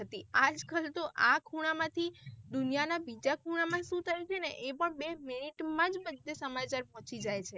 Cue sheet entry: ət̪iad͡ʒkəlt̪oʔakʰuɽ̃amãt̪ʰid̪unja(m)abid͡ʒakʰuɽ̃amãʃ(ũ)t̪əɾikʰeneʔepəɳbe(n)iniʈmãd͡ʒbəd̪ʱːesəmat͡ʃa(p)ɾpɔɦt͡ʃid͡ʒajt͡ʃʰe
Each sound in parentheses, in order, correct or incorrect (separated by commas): incorrect, correct, incorrect, incorrect